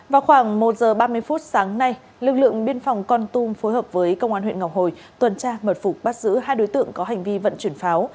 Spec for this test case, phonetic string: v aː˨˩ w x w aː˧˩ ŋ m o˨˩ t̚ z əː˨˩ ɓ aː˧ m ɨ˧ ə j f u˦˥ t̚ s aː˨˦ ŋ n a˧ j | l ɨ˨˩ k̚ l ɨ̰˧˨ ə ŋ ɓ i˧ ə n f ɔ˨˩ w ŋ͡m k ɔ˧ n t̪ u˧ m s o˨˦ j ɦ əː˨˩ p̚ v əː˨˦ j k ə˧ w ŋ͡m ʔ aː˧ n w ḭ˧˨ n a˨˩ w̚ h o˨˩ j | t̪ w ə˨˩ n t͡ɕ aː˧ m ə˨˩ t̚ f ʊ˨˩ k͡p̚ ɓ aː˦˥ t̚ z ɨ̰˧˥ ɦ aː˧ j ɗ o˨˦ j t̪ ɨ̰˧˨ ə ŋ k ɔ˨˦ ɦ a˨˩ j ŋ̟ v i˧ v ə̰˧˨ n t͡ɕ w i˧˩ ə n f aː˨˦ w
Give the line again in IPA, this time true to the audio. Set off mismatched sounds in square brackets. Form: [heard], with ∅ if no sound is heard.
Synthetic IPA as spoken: v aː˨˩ w x w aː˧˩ ŋ m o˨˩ t̚ z əː˨˩ ɓ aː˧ m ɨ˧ ə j f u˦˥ t̚ s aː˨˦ ŋ n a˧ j | l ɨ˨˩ k̚ l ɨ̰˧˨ ə ŋ ɓ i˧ ə n f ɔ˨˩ w ŋ͡m k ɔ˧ n t̪ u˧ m [f] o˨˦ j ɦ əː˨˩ p̚ v əː˨˦ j k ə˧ w ŋ͡m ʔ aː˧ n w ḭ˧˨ [ŋ] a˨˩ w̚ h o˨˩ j | t̪ w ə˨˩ n t͡ɕ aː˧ m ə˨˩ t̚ f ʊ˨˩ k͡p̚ ɓ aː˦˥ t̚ z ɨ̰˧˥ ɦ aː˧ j ɗ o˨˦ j t̪ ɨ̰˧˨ ə ŋ k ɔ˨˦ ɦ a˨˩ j ŋ̟ v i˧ v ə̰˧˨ n t͡ɕ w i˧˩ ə n f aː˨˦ w